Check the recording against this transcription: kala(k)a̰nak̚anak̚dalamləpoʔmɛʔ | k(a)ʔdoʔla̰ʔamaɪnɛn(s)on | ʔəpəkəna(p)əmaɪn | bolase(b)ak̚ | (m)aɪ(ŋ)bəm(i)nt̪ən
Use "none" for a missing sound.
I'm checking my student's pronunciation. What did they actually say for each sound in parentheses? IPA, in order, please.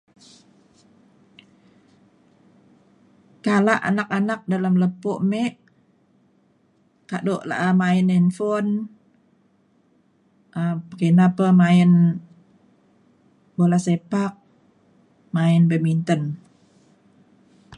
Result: ʔ, a, f, p, p, m, n, i

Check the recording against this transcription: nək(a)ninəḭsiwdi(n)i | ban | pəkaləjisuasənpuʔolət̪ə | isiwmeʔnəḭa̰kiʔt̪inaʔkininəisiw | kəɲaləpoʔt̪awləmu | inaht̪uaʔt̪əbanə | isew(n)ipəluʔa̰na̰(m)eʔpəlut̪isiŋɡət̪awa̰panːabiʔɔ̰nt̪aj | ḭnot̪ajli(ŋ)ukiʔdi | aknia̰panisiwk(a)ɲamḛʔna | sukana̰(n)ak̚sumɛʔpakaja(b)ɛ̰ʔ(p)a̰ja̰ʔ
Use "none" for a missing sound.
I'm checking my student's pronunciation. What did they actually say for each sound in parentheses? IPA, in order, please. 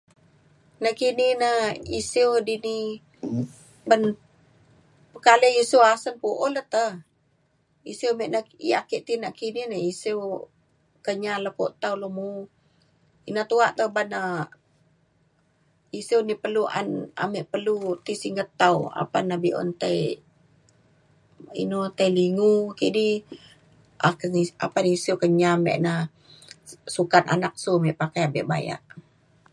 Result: i, n, n, m, ŋ, ə, n, b, b

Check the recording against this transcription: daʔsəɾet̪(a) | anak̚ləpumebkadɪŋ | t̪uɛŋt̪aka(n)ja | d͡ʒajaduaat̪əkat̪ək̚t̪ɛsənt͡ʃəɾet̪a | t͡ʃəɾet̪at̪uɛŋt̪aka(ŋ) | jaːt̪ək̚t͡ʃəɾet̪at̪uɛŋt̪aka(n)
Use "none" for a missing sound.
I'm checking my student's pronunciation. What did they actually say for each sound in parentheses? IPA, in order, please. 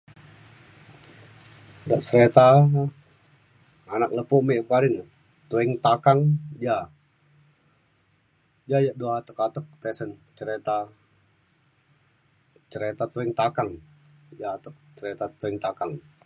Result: a, ŋ, ŋ, ŋ

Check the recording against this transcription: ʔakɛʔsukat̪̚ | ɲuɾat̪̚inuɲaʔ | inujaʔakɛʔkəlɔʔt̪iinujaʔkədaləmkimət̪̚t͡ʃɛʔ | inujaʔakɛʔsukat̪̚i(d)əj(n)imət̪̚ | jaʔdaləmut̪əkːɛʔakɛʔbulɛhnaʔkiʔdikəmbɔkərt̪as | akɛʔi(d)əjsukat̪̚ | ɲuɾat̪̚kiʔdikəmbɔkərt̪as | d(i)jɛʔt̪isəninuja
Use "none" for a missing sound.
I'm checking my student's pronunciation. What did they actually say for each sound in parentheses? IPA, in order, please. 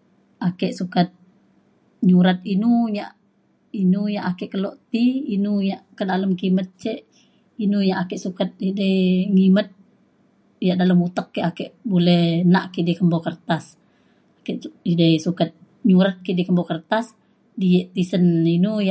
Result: d, ŋ, d, i

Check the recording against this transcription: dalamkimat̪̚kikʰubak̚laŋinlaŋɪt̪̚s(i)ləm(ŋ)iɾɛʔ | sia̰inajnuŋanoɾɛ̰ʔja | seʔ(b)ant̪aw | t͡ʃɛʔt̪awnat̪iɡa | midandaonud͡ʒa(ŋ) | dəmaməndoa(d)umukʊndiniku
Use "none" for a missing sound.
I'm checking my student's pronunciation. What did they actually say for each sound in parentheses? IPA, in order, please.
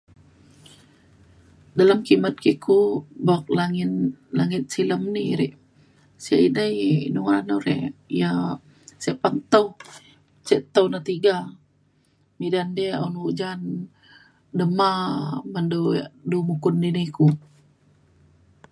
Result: i, n, p, n, d

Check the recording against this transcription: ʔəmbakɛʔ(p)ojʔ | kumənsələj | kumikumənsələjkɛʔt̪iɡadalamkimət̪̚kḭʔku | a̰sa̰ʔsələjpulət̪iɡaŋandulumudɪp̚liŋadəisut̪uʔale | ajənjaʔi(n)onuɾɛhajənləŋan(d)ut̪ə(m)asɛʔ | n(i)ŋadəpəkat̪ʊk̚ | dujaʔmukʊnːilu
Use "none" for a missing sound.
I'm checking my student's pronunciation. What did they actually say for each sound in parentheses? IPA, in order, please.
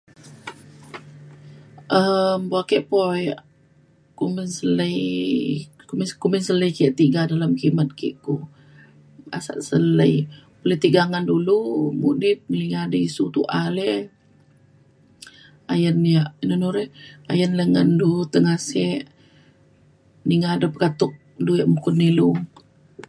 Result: p, n, d, ŋ, i

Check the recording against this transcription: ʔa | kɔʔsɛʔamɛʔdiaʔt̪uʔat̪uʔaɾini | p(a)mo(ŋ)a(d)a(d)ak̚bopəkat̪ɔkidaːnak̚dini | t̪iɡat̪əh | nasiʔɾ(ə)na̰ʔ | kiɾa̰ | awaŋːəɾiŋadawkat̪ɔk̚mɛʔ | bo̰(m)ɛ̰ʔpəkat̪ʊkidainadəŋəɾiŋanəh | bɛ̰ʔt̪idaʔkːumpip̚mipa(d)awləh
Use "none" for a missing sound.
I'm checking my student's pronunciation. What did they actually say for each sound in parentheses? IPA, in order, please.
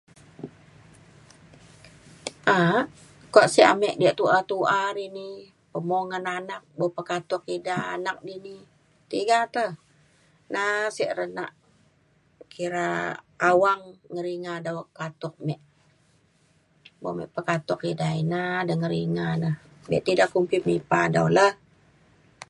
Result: ə, ŋ, n, n, ə, m, d

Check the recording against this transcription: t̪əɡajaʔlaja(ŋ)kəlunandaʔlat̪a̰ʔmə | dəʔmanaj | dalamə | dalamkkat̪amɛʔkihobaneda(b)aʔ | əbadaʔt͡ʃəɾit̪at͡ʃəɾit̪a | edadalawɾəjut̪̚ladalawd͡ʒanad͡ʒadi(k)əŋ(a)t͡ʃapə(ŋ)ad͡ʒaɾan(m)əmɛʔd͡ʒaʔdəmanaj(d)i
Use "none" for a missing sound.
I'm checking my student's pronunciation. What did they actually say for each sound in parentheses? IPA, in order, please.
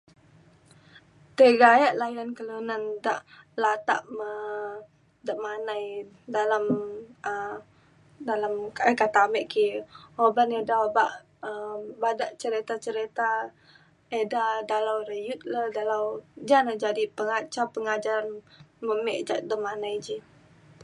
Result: n, b, p, a, ŋ, m, d͡ʒ

